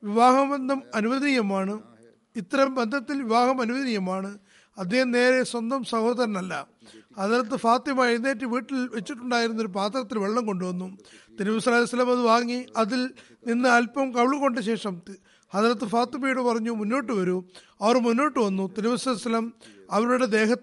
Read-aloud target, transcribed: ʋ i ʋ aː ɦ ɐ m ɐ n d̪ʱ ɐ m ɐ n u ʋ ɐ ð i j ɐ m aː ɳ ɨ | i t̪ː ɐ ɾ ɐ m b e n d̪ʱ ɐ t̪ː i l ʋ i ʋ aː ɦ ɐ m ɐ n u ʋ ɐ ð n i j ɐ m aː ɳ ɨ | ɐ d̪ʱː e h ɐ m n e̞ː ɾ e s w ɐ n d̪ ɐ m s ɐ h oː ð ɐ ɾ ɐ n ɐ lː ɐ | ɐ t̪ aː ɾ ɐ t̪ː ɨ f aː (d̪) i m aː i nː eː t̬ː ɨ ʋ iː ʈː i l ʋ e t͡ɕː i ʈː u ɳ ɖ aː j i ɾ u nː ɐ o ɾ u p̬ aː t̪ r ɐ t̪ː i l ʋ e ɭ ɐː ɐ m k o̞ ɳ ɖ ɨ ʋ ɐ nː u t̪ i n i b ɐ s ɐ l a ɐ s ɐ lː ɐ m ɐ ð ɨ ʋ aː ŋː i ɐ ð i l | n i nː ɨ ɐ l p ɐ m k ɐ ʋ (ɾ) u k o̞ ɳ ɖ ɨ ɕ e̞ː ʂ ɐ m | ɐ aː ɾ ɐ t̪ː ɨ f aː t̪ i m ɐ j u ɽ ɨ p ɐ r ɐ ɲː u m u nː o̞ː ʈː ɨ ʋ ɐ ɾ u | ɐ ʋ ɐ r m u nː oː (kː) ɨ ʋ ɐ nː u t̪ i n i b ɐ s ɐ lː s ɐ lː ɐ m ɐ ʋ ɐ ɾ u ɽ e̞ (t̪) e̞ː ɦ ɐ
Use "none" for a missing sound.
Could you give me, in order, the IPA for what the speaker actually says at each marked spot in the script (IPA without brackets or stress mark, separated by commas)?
t̪, ɭ, ʈː, d̪